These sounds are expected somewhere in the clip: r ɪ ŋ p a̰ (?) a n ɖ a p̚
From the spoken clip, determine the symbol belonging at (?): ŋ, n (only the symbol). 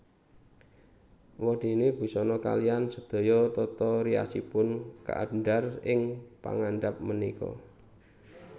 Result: ŋ